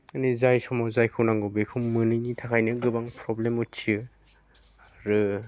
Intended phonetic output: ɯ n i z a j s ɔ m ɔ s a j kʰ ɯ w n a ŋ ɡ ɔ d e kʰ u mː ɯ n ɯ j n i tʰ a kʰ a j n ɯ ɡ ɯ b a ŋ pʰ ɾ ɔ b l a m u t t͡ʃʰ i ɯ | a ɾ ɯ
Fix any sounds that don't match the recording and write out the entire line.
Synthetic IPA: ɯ n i z a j s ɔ m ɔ z a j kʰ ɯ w n a ŋ ɡ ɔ b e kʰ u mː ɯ n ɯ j n i tʰ a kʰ a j n ɯ ɡ ɯ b a ŋ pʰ ɾ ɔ b l e m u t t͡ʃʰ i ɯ | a ɾ ɯ